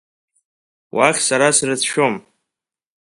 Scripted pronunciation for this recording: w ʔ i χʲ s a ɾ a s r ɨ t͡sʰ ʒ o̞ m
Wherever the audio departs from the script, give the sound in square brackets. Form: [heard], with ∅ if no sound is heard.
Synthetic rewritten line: w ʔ [a] χʲ s a ɾ a s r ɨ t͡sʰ [ʃ] o̞ m